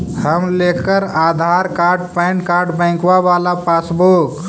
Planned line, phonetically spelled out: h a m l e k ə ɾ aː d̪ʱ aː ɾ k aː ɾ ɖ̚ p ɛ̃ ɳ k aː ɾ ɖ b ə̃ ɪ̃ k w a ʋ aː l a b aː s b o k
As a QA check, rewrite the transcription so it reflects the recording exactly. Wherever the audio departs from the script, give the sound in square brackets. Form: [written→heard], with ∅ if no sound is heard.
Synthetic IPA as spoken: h [a→ə] m l e k ə ɾ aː d̪ʱ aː ɾ k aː ɾ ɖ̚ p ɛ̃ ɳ k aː ɾ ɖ b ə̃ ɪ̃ k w a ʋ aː l a [b→p] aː s b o k